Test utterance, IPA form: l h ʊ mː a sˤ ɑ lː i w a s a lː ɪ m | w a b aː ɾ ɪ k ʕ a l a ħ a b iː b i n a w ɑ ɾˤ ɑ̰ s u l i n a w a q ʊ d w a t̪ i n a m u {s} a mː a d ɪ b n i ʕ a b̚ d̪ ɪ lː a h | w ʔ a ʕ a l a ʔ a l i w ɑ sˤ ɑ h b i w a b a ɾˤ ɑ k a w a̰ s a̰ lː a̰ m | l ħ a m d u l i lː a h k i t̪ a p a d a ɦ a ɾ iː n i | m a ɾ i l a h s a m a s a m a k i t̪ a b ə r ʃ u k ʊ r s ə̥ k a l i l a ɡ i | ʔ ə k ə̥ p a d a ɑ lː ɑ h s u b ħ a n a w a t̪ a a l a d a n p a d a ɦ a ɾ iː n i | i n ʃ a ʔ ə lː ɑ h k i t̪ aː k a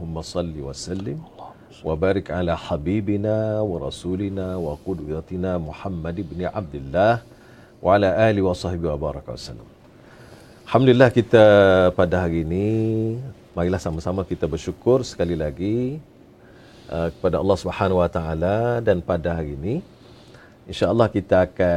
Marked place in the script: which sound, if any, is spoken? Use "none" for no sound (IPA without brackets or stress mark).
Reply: ħ